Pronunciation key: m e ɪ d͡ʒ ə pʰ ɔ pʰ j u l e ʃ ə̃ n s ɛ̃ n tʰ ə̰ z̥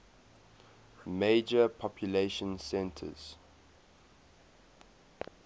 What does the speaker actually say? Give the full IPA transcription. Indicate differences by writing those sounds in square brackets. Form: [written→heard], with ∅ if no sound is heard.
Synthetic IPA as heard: m e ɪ d͡ʒ ə pʰ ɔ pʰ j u l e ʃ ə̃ n s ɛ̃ n tʰ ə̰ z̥